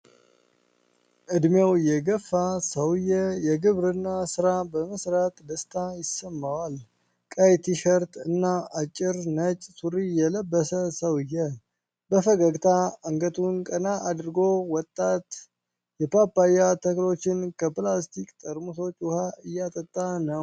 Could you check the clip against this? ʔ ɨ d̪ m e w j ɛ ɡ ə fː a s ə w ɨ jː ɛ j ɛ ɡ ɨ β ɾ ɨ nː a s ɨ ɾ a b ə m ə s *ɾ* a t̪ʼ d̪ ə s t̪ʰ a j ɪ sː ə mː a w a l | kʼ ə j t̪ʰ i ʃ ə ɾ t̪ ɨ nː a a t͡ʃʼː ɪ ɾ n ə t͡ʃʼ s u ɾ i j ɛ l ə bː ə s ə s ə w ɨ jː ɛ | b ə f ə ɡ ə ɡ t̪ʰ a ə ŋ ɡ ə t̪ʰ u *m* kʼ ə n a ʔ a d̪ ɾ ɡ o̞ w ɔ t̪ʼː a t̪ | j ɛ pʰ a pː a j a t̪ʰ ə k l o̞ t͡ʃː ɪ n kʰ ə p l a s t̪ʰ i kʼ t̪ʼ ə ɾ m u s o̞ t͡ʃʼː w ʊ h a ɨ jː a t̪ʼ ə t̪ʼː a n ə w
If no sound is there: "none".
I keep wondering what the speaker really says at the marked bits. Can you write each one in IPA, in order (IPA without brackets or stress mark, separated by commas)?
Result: ɾ, n